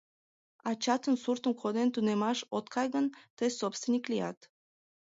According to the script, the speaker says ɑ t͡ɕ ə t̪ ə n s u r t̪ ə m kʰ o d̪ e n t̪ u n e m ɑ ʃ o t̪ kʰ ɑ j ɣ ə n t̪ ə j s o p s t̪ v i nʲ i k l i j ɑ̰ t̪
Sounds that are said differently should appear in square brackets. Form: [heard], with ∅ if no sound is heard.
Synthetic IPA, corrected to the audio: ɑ t͡ɕ [ɑ] t̪ ə n s u r t̪ ə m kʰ o d̪ e n t̪ u n e m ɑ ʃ o t̪ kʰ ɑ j ɣ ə n t̪ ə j s o p s t̪ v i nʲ i k l i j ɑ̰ t̪